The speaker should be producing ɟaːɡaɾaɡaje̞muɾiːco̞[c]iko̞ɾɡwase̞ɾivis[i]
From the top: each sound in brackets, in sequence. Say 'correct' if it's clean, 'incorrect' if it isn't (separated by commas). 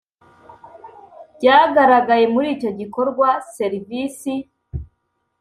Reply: incorrect, correct